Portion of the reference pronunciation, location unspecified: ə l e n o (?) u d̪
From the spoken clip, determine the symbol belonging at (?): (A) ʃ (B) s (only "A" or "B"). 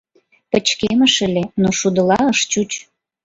A